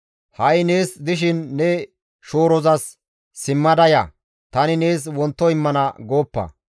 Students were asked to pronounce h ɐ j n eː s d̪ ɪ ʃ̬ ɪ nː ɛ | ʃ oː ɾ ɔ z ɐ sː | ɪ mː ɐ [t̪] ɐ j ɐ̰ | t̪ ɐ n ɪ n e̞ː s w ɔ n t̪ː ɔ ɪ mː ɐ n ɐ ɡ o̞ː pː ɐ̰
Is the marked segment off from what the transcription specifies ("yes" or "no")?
yes